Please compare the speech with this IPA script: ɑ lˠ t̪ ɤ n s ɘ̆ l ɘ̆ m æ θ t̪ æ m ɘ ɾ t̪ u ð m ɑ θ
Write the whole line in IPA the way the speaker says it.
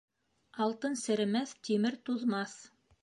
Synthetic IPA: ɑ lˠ t̪ ɤ n s ɘ̆ ɾ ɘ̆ m æ θ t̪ i m ɘ ɾ t̪ u ð m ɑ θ

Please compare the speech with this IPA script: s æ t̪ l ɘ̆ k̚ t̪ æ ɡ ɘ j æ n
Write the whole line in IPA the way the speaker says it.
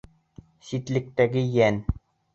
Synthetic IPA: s i t̪ l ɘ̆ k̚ t̪ æ ɡ ɘ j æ n

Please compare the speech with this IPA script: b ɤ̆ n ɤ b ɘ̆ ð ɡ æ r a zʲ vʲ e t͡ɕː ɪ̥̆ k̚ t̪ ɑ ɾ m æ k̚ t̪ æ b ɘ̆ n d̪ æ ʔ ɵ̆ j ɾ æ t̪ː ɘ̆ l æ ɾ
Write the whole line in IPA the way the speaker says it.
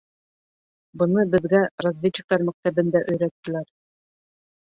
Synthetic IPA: b ɤ̆ n ɤ b ɘ̆ ð ɡ æ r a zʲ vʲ e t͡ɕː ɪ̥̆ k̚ t̪ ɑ ɾ m æ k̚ t̪ æ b ɘ̆ n d̪ æ ʔ ɵ̆ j ɾ æ t̪ː ɘ̆ l æ ɾ

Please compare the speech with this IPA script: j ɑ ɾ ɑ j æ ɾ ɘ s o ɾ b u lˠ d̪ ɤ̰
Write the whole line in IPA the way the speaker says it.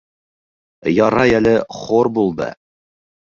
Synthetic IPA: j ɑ ɾ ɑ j æ l ɘ χ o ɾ b u lˠ d̪ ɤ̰

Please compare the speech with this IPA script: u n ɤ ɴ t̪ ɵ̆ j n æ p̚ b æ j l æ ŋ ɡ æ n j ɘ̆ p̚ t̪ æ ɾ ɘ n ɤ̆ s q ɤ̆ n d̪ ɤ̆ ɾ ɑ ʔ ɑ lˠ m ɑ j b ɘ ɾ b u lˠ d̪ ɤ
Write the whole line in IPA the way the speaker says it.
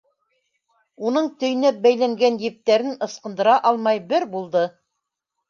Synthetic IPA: u n ɤ ɴ t̪ ɵ̆ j n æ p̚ b æ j l æ ŋ ɡ æ n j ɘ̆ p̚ t̪ æ ɾ ɘ n ɤ̆ s q ɤ̆ n d̪ ɤ̆ ɾ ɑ ʔ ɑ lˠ m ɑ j b ɘ ɾ b u lˠ d̪ ɤ

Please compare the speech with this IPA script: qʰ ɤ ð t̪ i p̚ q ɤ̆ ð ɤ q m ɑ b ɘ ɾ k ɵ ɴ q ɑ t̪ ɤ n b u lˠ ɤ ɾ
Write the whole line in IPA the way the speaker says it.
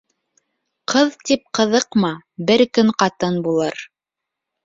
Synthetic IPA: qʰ ɤ ð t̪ i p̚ q ɤ̆ ð ɤ q m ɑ b ɘ ɾ k ɵ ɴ q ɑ t̪ ɤ n b u lˠ ɤ ɾ

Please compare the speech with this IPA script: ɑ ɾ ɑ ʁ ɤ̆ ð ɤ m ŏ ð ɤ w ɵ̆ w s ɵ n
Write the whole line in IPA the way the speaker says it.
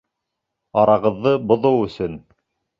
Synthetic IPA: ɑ ɾ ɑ ʁ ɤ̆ ðː ɤ b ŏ ð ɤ w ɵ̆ s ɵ n

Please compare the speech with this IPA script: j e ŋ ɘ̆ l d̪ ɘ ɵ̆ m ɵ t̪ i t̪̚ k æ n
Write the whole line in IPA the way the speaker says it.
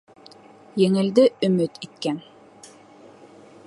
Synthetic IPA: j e ŋ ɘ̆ l d̪ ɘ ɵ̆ m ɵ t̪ i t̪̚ k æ n

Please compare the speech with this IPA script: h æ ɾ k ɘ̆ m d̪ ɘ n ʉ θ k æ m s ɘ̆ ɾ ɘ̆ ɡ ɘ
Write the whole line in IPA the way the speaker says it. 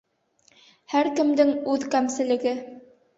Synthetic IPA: h æ ɾ k ɘ̆ m d̪ ɘ ŋ ʉ ð k æ m s ɘ̆ l ɘ̆ ɡ ɘ

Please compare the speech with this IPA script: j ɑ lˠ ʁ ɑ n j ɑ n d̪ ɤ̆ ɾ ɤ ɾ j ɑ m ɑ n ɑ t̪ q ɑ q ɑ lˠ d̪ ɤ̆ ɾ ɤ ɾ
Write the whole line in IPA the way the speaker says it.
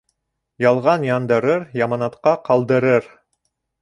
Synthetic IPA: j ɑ lˠ ʁ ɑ n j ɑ n d̪ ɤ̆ ɾ ɤ ɾ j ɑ m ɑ n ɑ t̪ q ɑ q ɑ lˠ d̪ ɤ̆ ɾ ɤ ɾ

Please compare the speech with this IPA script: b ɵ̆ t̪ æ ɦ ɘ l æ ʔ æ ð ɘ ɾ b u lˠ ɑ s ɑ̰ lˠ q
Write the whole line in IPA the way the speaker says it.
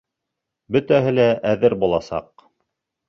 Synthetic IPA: b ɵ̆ t̪ æ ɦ ɘ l æ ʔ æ ð ɘ ɾ b u lˠ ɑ s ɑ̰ q

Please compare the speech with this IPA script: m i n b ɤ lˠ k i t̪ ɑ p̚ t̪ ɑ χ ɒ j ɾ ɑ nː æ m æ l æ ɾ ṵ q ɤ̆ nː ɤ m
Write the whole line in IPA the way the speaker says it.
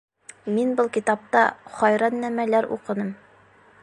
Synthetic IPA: m i n b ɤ lˠ k i t̪ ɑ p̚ t̪ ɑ χ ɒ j ɾ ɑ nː æ m æ l æ ɾ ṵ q ɤ̆ n ɤ m

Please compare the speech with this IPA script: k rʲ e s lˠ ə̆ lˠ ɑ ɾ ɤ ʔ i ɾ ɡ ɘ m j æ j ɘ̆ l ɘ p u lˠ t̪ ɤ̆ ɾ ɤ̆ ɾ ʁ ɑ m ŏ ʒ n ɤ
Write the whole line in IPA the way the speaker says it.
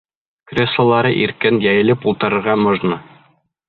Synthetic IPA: k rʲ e s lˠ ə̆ lˠ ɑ ɾ ɤ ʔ i ɾ k ɘ n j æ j ɘ̆ l ɘ p u lˠ t̪ ɤ̆ ɾ ɤ̆ ɾ ʁ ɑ m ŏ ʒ n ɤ

